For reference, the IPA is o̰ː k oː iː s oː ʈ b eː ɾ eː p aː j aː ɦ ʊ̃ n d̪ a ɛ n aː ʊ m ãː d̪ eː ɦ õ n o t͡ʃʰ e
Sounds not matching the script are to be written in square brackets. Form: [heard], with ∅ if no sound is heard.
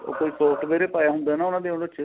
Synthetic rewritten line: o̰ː k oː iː s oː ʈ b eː ɾ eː p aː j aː ɦ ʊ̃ n d̪ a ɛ n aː ʊ [n] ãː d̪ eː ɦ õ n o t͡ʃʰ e